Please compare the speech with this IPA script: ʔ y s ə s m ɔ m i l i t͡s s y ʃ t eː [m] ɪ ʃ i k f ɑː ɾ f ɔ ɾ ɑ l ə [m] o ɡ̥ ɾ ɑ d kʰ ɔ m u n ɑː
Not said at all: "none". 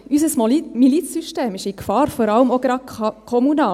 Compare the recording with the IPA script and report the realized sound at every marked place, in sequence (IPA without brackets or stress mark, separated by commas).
m, m